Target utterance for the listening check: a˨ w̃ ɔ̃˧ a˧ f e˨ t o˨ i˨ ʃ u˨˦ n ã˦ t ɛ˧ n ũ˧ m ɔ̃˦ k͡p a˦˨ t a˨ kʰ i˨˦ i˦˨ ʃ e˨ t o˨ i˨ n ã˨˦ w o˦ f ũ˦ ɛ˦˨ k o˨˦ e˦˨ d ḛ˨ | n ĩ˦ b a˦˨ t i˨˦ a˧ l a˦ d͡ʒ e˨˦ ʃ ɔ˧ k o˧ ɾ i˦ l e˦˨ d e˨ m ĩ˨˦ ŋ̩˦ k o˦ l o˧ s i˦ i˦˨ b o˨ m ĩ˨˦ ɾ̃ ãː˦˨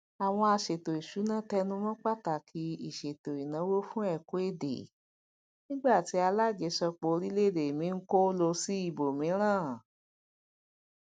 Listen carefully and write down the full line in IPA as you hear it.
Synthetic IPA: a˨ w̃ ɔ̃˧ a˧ ʃ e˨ t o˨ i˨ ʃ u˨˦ n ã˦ t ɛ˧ n ũ˧ m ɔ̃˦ k͡p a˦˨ t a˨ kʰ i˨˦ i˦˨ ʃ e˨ t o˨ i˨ n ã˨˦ w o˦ f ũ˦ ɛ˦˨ k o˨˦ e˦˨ d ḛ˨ | n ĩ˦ ɡ͡b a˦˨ t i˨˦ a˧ l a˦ d͡ʒ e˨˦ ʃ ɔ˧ k͡p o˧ ɾ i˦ l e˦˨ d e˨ m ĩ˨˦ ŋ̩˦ k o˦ l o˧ s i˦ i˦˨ b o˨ m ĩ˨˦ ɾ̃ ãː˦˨